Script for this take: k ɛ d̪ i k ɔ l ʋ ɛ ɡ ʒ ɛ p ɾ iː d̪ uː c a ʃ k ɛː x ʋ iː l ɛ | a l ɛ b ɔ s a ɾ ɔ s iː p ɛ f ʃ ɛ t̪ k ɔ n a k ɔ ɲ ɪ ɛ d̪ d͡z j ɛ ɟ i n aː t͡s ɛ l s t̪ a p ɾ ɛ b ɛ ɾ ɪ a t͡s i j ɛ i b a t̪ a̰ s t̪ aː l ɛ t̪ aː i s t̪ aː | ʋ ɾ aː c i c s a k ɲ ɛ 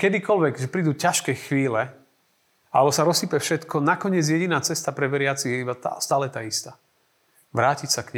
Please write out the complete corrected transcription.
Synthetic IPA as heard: k ɛ d̪ i k ɔ l ʋ ɛ ɡ ʒ ɛ p ɾ iː d̪ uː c a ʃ k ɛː x ʋ iː l ɛ | a l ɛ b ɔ s a ɾ ɔ s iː p ɛ f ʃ ɛ t̪ k ɔ n a k ɔ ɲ ɪ ɛ d͡z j ɛ ɟ i n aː t͡s ɛ s t̪ a p ɾ ɛ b ɛ ɾ ɪ a t͡s i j ɛ i b a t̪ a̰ s t̪ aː l ɛ t̪ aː i s t̪ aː | ʋ ɾ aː c i c s a k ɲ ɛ